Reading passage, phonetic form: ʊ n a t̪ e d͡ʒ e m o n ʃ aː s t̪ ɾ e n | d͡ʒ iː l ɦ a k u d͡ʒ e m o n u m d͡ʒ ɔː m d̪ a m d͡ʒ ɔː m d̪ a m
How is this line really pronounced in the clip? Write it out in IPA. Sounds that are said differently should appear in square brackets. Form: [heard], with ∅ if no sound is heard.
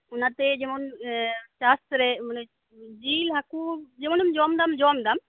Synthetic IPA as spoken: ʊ n a t̪ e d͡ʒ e m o n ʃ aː s t̪ ɾ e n | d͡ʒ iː l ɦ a k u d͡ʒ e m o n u m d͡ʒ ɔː m d̪ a m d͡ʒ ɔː m d̪ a m